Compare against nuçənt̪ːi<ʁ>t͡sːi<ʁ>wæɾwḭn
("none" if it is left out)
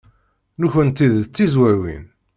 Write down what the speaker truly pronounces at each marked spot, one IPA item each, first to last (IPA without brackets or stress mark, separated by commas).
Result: ð, z